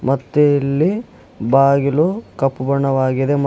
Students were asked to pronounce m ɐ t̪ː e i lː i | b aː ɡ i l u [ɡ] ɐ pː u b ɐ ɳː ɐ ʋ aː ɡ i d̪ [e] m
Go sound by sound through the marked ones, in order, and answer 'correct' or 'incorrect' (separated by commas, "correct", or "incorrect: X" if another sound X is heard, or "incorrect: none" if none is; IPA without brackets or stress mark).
incorrect: k, correct